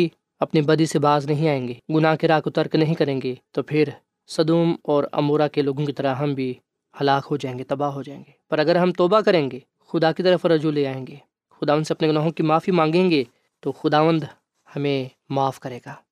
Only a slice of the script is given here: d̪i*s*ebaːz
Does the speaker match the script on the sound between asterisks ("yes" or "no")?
yes